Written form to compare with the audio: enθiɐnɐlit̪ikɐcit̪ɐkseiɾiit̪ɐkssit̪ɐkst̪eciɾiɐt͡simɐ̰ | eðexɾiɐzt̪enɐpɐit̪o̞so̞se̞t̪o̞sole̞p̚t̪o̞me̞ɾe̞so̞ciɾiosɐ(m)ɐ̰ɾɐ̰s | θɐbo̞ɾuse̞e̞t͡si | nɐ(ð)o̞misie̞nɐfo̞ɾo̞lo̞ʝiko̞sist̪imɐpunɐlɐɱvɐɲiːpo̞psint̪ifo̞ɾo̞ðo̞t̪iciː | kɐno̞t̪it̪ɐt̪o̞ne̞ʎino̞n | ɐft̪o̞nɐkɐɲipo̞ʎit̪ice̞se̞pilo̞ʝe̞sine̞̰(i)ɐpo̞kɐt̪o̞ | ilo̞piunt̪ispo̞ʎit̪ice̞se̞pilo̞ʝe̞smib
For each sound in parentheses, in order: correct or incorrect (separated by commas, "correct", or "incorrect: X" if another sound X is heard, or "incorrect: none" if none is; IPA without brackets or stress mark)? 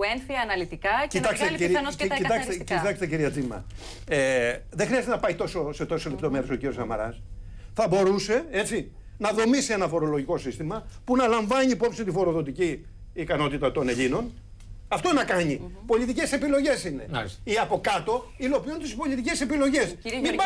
correct, correct, correct